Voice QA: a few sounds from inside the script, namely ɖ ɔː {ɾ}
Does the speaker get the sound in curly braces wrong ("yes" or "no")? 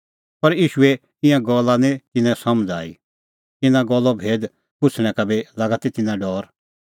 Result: no